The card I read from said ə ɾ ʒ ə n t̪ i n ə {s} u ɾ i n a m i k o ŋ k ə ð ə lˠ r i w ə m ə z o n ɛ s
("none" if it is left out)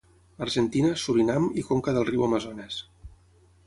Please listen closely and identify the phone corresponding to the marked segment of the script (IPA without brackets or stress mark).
s